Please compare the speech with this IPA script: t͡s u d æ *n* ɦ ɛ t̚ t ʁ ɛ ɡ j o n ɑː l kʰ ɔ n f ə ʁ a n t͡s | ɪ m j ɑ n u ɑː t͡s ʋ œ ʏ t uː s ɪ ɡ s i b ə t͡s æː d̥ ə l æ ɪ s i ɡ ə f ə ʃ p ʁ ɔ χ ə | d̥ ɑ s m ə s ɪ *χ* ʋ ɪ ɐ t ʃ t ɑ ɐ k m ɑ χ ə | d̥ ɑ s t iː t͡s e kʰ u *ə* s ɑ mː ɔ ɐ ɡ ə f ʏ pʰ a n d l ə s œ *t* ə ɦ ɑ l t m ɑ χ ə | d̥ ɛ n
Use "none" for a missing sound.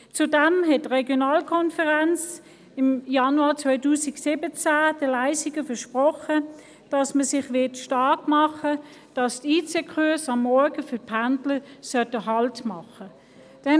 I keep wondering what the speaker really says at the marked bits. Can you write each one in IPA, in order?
m, χ, ɐ, t

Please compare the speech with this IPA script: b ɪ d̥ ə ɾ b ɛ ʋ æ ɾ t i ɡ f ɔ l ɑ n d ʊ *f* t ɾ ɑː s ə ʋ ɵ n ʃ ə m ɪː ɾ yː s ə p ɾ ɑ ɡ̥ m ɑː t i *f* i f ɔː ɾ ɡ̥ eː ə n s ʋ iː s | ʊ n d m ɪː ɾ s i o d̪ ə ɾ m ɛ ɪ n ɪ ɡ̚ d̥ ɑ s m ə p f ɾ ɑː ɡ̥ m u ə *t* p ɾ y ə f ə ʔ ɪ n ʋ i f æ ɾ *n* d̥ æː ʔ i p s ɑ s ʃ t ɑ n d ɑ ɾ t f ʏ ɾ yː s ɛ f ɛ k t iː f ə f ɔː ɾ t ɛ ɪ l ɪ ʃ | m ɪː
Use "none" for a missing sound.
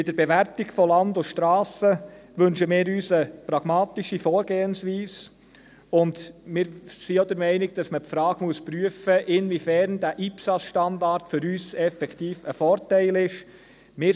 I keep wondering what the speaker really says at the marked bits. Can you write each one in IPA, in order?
ʃ, ʃ, s, n

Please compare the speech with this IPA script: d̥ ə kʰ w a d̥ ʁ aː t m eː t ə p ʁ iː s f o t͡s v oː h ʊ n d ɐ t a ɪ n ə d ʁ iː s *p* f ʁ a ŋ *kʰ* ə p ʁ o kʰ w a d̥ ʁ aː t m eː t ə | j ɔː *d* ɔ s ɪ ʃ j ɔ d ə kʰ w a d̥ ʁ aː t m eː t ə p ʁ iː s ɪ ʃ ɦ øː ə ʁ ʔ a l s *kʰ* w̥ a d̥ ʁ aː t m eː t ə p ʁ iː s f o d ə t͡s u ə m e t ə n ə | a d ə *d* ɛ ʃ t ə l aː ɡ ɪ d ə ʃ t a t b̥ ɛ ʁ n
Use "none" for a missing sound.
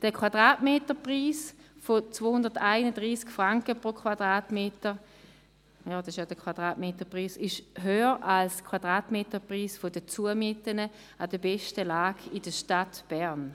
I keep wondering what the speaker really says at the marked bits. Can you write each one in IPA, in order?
k, k, d, kʰ, b

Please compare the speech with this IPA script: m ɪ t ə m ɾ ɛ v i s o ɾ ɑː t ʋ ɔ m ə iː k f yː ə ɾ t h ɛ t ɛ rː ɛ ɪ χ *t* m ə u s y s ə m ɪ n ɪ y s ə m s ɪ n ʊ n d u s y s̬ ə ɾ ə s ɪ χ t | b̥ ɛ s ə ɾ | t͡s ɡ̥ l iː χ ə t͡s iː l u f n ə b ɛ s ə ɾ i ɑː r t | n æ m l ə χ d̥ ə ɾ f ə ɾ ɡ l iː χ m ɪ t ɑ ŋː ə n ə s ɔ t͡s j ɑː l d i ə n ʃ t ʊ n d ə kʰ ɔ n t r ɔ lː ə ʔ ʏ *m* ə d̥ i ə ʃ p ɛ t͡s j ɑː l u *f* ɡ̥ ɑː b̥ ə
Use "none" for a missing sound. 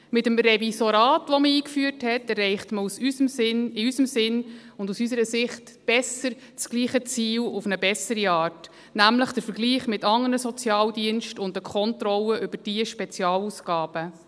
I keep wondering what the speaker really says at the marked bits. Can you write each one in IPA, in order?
t, b, s

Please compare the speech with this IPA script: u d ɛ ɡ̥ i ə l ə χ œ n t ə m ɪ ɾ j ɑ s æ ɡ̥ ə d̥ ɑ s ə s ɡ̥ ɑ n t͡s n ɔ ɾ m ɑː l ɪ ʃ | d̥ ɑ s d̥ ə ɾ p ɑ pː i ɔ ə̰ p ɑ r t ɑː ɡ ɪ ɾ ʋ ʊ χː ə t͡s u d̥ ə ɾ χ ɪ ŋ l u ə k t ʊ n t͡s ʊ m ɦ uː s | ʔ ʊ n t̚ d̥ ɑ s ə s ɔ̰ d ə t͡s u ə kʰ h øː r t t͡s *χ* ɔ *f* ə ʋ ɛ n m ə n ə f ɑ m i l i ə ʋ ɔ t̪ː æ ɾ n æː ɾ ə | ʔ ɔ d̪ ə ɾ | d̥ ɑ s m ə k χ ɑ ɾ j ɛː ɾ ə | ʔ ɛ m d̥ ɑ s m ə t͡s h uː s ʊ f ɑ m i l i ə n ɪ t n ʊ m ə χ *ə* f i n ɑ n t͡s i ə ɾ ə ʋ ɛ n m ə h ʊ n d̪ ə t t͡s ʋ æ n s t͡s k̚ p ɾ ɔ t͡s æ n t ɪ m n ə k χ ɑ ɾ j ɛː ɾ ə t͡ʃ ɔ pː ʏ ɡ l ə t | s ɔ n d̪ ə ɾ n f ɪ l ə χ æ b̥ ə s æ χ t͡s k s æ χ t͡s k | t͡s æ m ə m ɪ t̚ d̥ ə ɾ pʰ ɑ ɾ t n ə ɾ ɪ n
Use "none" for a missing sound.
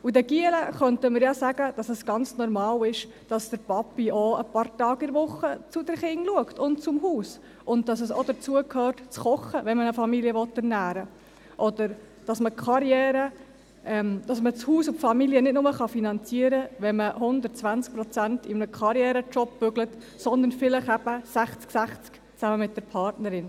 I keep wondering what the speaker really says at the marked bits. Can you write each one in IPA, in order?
χ, χ, ɑ

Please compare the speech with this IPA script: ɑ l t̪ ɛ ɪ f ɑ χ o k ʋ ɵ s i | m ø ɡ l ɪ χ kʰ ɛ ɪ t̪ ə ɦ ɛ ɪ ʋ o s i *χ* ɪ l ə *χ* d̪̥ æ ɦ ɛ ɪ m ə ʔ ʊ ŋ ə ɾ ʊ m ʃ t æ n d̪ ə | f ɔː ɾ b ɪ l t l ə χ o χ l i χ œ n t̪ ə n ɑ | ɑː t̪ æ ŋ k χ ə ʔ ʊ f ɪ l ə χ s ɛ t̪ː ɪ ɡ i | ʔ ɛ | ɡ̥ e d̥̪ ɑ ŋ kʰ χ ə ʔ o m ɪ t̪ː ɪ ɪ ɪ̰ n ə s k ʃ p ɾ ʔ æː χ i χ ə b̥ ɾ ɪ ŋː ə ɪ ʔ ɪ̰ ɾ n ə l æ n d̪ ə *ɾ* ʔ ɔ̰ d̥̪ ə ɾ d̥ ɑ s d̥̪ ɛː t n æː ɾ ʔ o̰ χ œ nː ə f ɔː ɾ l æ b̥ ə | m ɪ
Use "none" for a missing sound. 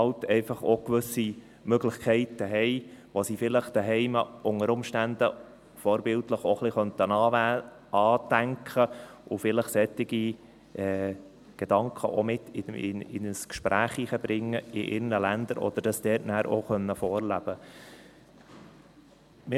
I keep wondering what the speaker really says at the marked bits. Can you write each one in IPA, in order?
f, χ, ɾ

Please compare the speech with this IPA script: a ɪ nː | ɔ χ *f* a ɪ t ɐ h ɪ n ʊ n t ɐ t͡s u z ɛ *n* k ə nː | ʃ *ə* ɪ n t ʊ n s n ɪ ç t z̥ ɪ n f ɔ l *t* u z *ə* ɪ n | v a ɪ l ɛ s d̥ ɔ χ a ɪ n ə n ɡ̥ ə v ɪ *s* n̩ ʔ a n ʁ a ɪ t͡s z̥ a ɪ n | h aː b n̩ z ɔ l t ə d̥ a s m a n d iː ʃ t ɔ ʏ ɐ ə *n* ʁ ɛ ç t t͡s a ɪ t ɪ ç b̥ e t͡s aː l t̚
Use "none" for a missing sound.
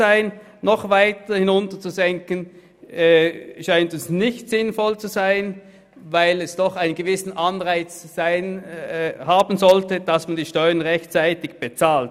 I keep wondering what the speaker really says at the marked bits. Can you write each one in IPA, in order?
v, ŋ, a, t͡s, a, s, n

